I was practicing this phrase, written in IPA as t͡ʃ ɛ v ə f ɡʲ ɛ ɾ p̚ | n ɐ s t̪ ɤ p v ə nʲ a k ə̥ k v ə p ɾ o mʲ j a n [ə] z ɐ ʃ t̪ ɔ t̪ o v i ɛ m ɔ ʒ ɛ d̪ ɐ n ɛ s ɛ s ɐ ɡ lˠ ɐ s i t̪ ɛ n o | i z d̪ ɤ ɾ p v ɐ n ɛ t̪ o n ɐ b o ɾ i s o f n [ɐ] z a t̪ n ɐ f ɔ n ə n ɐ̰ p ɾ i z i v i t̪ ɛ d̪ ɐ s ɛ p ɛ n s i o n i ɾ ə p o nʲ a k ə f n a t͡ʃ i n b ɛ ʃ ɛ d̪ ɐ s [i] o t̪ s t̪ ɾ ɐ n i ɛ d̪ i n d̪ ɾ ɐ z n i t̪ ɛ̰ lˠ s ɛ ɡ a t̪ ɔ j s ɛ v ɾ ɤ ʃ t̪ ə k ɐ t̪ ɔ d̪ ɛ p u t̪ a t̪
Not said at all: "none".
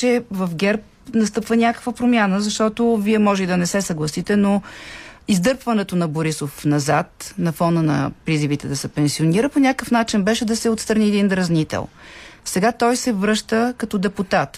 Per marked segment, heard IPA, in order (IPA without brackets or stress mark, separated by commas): ə, ɐ, ɛ